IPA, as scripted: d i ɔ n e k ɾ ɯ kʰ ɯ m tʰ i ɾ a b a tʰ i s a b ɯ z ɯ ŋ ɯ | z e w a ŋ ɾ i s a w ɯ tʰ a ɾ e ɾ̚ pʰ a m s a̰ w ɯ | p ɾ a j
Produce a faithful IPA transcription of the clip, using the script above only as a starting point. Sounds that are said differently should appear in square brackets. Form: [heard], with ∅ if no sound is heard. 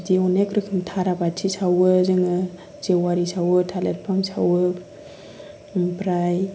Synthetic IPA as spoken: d i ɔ n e k ɾ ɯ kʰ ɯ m tʰ [a] ɾ a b a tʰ i s a [w] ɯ z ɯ ŋ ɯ | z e w a [∅] ɾ i s a w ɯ tʰ a [l] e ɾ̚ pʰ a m s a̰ w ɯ | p ɾ a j